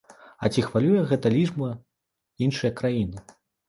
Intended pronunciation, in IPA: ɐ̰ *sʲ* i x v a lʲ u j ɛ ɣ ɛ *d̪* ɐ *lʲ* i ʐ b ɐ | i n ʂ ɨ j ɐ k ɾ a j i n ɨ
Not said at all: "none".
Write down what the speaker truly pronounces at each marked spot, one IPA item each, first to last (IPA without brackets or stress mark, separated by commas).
t͡sʲ, t̪, lʲ